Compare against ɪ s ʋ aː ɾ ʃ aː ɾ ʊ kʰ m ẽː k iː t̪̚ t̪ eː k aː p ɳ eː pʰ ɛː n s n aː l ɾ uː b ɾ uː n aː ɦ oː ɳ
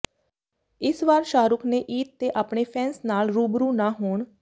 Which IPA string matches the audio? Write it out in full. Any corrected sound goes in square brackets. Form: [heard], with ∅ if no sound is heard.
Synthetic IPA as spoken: ɪ s ʋ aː ɾ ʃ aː ɾ ʊ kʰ [n] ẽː [ʔ] iː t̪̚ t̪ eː [ʔ] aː p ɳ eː pʰ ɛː n s n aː l ɾ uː b ɾ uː n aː ɦ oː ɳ